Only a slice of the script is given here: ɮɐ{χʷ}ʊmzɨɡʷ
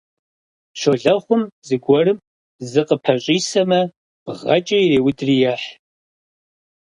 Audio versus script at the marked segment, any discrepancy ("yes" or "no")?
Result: no